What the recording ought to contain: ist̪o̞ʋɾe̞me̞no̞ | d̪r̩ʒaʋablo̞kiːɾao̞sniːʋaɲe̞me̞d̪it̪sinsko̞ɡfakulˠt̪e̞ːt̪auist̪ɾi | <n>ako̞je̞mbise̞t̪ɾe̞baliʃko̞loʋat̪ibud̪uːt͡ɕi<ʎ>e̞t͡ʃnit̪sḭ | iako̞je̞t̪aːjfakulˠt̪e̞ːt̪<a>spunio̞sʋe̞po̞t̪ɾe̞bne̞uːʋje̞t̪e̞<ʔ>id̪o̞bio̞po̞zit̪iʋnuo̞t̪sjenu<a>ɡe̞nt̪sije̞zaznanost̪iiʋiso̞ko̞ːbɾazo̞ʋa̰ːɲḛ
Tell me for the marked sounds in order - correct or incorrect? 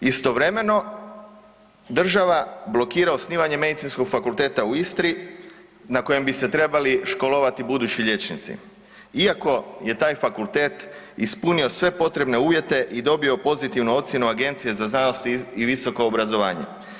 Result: correct, correct, incorrect: i, correct, correct

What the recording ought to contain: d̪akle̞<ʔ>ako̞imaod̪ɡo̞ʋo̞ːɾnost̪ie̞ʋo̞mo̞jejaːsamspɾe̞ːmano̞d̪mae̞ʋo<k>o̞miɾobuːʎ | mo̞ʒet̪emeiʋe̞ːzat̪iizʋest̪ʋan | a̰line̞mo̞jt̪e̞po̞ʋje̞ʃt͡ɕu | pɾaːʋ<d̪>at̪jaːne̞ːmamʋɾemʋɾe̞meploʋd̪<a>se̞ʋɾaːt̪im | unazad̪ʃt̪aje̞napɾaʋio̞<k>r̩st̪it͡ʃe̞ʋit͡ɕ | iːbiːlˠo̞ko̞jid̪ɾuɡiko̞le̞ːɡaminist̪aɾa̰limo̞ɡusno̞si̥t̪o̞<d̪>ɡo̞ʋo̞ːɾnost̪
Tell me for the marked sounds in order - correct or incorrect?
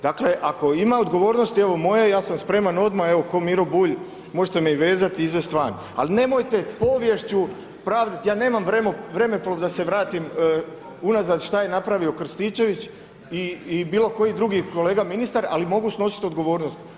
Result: correct, correct, correct, correct, correct, correct

